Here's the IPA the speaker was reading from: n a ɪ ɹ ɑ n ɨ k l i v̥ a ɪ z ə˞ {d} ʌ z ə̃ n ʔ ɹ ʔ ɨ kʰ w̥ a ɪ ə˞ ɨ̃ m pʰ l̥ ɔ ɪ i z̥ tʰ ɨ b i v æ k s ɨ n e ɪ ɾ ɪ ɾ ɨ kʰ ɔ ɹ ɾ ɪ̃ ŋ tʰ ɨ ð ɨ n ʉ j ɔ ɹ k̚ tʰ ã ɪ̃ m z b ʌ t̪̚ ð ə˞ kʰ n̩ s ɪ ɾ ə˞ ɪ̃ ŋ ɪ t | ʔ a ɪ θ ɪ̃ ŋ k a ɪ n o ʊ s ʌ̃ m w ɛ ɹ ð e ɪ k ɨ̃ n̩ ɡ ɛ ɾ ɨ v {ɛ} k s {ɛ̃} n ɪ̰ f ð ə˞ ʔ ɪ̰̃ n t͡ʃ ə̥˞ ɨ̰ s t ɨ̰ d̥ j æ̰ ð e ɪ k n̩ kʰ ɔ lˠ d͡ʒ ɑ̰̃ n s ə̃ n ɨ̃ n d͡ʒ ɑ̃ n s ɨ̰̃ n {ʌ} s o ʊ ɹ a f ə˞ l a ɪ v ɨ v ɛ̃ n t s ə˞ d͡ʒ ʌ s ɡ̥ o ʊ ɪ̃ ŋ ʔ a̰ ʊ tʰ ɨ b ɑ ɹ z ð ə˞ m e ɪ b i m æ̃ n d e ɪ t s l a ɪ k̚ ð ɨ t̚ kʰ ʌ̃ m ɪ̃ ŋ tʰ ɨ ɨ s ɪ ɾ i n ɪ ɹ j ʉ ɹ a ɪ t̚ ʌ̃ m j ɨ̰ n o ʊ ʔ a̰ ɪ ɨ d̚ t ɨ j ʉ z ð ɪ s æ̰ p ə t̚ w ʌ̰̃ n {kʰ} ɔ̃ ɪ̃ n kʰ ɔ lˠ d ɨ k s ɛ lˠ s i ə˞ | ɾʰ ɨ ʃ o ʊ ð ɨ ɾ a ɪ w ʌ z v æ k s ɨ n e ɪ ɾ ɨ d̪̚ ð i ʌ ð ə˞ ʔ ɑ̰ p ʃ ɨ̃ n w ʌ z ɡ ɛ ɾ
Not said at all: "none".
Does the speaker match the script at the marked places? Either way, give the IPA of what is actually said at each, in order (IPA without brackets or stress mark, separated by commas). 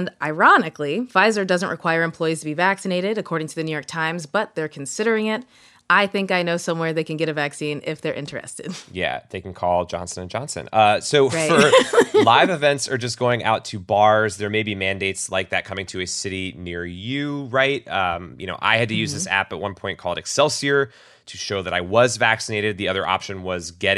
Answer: d, æ, ĩ, ʌ, pʰ